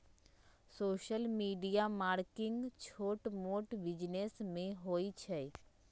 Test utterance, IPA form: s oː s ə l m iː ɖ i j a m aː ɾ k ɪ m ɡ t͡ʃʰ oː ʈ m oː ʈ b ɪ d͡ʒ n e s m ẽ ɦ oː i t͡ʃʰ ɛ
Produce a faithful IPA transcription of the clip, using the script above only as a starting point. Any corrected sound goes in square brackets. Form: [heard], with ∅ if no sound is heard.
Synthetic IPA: s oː [ʃ] ə l m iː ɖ i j a m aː ɾ k ɪ [ŋ] ɡ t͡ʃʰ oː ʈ m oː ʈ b ɪ d͡ʒ n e s m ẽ ɦ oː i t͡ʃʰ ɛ

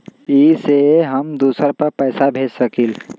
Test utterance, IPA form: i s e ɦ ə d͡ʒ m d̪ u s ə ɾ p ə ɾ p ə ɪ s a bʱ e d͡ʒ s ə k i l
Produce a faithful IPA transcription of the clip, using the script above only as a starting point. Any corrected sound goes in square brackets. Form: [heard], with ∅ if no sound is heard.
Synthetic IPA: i s e ɦ ə [∅] m d̪ u s ə ɾ p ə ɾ p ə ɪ s a bʱ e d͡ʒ s ə k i l

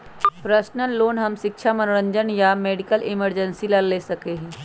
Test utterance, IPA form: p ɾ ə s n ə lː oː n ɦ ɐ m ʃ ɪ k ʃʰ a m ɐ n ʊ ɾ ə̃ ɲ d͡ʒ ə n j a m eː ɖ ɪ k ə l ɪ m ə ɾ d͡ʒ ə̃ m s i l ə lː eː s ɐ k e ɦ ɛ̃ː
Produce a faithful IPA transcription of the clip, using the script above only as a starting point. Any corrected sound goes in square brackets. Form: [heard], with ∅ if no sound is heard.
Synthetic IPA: p ɾ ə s n ə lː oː n ɦ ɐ m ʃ ɪ k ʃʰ a m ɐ n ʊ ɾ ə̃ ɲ d͡ʒ ə n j a m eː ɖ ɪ k ə l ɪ m ə ɾ d͡ʒ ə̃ [n] s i l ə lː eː s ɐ k e ɦ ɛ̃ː

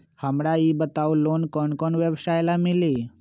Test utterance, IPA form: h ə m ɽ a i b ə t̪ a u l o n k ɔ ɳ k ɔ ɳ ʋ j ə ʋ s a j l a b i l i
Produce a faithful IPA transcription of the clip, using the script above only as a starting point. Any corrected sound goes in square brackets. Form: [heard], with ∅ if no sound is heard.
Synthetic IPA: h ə m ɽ a i b ə t̪ a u l o n k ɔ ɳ k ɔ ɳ ʋ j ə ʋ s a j l a [m] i l i

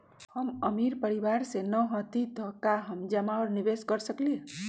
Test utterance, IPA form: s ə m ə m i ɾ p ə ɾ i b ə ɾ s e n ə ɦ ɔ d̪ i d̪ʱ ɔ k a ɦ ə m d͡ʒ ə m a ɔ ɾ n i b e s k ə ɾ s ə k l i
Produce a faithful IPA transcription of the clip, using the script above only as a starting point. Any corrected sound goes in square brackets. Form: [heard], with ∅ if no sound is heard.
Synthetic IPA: [h] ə m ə m i ɾ p ə ɾ i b [a] ɾ s e n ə ɦ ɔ [t̪] i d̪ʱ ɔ k a ɦ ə m d͡ʒ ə m a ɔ ɾ n i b e s k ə ɾ s ə k l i

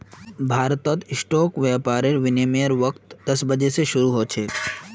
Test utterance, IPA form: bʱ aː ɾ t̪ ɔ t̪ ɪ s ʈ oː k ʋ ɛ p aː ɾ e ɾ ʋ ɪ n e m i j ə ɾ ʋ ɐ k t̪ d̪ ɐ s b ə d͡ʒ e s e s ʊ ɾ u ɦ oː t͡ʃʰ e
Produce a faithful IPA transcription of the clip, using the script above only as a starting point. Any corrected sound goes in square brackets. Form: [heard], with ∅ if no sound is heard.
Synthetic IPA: bʱ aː ɾ t̪ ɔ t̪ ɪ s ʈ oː k ʋ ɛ p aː ɾ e ɾ ʋ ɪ n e m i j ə ɾ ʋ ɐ k t̪ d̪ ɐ s b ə d͡ʒ e s e [ʃ] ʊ ɾ u ɦ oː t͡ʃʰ e

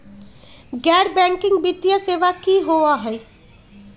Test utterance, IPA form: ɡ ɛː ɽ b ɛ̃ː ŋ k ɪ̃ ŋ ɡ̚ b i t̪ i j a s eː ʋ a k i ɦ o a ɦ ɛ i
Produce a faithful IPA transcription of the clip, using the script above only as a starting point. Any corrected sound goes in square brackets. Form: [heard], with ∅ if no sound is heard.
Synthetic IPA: ɡ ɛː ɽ b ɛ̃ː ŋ k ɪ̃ ŋ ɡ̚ b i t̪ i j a s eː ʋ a k i ɦ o a ɦ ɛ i

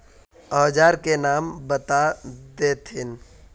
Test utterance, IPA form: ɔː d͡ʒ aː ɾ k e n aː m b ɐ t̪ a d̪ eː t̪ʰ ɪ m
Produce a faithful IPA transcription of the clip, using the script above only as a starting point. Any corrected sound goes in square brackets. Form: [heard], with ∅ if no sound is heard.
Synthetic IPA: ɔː d͡ʒ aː ɾ k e n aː m b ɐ t̪ a d̪ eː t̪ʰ ɪ [n]

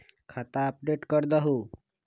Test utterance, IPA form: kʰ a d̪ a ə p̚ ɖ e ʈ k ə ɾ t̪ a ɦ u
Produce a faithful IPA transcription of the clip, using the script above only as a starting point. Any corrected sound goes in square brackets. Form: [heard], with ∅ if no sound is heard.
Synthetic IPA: kʰ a [t̪] a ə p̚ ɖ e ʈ k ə ɾ [d̪] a ɦ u

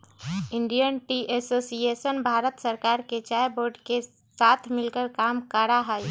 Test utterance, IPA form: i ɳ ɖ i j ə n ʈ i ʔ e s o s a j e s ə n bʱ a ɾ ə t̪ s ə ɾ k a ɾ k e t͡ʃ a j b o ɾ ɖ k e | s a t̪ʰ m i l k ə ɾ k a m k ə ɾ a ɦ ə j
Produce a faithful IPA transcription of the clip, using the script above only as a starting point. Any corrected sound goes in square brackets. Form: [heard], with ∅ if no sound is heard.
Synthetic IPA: i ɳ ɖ i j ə n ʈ i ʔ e s o s [i] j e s ə n bʱ a ɾ ə t̪ s ə ɾ k a ɾ k e t͡ʃ a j b o ɾ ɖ k e | s a t̪ʰ m i l k ə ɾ k a m k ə ɾ a ɦ ə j

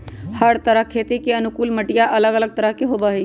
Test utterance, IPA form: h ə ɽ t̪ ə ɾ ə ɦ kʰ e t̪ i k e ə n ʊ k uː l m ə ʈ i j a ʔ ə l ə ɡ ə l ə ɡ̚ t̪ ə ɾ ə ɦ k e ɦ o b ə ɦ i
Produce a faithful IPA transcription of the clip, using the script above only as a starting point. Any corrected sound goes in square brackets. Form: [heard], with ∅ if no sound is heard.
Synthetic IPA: h ə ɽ t̪ ə ɾ ə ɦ kʰ e t̪ i k e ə n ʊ k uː l m ə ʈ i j a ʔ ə l ə ɡ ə l ə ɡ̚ t̪ ə ɾ ə ɦ k e ɦ o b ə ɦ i

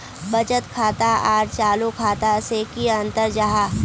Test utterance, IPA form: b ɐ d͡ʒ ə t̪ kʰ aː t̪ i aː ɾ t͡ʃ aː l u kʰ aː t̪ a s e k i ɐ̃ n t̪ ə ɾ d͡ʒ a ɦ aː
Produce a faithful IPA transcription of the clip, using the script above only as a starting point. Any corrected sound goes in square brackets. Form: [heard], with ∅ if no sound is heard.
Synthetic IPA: b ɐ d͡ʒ ə t̪ kʰ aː t̪ [a] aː ɾ t͡ʃ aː l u kʰ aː t̪ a s e k i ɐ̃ n t̪ ə ɾ d͡ʒ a ɦ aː

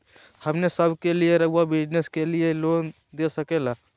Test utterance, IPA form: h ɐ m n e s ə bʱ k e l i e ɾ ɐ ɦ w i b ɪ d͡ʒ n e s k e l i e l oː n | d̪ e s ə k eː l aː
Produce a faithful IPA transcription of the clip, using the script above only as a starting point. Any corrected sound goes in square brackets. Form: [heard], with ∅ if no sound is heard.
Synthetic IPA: h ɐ m n e s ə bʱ k e l i e ɾ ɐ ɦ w [a] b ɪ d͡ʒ n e s k e l i e l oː n | d̪ e s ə k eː l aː

